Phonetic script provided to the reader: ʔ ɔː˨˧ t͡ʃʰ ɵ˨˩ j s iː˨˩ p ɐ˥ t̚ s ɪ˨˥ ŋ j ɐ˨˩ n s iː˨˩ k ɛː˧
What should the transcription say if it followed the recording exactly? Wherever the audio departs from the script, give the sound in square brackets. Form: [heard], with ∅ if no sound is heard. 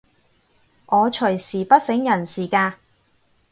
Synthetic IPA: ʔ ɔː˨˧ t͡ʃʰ ɵ˨˩ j s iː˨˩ p ɐ˥ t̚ s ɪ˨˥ ŋ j ɐ˨˩ n s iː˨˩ k [aː˧]